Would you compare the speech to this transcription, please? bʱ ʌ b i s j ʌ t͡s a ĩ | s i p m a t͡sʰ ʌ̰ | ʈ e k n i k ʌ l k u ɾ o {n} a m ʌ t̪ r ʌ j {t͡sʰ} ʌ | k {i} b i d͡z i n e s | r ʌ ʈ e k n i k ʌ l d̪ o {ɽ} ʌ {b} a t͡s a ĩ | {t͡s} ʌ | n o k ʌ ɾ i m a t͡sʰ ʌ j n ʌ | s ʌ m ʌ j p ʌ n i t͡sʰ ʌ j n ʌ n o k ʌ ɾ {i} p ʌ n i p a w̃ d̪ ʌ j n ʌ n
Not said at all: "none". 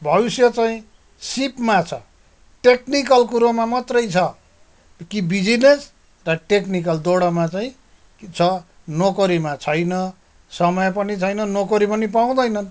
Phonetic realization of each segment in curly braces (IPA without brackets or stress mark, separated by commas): m, t͡sʰ, i, ɽ, m, t͡sʰ, i